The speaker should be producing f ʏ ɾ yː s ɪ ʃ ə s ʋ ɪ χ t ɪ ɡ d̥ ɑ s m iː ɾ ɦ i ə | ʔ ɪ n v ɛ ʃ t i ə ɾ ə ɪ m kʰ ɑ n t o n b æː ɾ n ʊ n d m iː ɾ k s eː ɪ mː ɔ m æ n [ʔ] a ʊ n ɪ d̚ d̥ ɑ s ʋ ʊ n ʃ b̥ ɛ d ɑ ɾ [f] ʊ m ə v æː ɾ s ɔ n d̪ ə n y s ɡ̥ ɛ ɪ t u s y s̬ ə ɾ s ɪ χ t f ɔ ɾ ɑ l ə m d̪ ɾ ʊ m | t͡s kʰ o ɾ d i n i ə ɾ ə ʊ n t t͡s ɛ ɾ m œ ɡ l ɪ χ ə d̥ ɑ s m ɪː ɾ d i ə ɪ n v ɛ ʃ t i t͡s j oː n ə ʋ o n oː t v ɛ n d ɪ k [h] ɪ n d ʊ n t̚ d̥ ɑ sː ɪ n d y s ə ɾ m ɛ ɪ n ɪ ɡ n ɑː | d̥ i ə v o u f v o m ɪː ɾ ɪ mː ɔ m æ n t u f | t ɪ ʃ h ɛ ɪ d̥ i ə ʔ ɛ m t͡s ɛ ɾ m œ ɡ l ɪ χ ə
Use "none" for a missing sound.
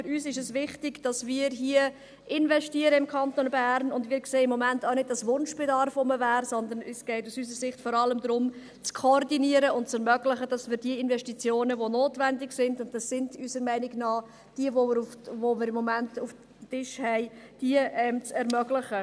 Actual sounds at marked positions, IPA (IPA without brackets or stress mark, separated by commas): t, f, s